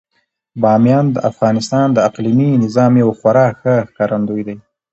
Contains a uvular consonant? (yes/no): yes